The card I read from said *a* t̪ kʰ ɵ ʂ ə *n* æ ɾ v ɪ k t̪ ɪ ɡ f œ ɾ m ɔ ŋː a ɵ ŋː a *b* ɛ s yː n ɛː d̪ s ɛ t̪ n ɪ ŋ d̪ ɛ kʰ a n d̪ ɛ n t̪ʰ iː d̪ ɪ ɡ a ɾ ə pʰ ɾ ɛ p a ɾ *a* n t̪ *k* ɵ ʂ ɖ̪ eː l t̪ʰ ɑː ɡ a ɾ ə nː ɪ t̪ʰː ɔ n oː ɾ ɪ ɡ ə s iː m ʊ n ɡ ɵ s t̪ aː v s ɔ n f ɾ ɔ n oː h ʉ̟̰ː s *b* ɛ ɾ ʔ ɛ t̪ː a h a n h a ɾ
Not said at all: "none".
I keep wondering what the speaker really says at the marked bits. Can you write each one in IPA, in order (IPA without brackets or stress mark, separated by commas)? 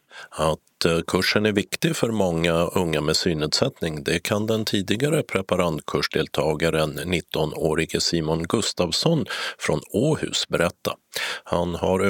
a, n, m, a, kʰ, b